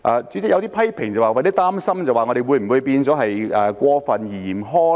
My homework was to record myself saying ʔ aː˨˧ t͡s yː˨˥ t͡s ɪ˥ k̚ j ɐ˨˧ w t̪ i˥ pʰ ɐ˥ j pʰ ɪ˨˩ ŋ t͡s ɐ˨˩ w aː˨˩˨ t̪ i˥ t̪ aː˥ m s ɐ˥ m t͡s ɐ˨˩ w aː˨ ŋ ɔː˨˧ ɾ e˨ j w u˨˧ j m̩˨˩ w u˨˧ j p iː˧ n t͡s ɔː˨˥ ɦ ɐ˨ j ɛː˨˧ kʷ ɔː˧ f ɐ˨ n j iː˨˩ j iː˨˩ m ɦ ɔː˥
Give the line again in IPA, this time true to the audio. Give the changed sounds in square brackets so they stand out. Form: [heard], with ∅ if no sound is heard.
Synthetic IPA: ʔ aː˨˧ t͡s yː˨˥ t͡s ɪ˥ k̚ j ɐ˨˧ w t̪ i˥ pʰ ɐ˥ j pʰ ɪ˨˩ ŋ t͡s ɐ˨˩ w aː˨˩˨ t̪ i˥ t̪ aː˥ m s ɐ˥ m t͡s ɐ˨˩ w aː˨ ŋ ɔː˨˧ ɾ e˨ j w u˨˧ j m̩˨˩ w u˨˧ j p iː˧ n t͡s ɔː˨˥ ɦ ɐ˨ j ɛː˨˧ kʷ ɔː˧ f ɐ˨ n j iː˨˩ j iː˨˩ m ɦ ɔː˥